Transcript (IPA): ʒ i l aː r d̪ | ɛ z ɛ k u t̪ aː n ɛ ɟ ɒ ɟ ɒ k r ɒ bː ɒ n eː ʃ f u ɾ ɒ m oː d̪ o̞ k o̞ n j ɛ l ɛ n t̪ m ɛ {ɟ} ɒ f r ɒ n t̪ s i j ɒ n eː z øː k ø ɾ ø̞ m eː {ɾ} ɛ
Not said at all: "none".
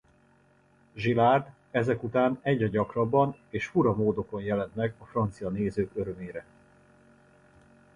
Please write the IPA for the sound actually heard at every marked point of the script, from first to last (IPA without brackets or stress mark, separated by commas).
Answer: ɡ, ɾ